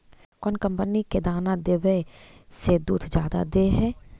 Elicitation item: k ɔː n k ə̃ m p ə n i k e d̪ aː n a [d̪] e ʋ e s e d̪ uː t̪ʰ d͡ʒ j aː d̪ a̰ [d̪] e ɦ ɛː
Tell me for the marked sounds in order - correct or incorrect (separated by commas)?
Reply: correct, correct